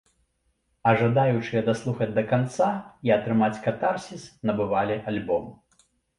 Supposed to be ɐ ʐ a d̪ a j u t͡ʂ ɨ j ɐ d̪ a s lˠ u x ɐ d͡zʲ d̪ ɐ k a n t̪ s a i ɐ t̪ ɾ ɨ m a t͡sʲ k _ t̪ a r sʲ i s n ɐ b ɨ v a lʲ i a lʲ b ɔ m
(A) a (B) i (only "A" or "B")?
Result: A